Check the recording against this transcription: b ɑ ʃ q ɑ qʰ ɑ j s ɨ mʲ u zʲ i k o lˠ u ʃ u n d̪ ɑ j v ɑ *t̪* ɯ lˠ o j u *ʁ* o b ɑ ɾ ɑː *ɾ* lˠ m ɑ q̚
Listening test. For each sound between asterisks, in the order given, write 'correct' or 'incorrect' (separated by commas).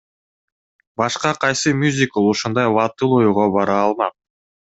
correct, correct, incorrect